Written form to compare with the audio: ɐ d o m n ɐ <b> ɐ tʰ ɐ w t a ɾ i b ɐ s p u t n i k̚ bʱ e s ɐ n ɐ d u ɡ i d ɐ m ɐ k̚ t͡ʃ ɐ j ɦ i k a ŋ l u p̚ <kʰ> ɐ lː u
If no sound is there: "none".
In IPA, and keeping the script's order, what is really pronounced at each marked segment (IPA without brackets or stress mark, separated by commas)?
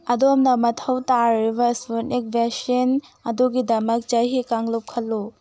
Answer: m, kʰ